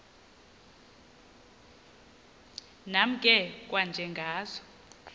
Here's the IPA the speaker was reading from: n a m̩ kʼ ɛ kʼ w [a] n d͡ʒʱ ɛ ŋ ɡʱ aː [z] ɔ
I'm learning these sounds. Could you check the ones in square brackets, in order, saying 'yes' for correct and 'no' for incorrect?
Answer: yes, yes

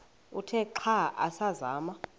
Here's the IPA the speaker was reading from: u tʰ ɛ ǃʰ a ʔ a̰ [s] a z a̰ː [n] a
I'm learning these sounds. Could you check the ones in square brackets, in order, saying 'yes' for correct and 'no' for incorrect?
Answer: yes, no

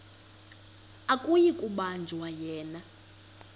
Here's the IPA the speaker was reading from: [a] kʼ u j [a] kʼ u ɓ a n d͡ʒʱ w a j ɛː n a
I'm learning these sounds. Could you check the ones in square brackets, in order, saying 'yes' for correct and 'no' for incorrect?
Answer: yes, no

